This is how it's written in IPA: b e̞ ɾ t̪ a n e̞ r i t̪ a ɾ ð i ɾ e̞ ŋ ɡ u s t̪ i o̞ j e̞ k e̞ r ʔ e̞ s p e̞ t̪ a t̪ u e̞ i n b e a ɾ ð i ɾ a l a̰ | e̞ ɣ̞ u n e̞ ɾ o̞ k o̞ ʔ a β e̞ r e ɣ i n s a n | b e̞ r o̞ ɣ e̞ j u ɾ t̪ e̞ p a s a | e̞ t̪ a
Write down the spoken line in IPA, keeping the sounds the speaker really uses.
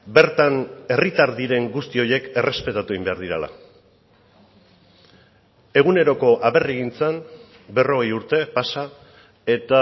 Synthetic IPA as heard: b e̞ ɾ t̪ a n e̞ r i t̪ a ɾ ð i ɾ e̞ ŋ ɡ u s t̪ i o̞ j e̞ k e̞ r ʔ e̞ s p e̞ t̪ a t̪ u e̞ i m b e a ɾ ð i ɾ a l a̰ | e̞ ɣ̞ u n e̞ ɾ o̞ k o̞ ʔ a β e̞ r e ɣ i n t͡s a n | b e̞ r o̞ ɣ e̞ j u ɾ t̪ e̞ p a s a | e̞ t̪ a